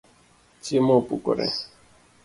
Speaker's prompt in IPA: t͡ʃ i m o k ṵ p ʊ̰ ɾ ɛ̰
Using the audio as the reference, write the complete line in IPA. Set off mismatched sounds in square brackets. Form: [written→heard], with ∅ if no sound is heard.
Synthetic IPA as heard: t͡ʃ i m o [k→p] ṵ [p→k] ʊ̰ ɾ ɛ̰